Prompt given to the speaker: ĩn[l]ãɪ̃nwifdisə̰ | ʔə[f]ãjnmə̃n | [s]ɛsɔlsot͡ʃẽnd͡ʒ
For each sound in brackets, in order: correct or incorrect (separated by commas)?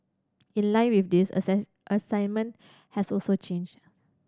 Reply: correct, incorrect, incorrect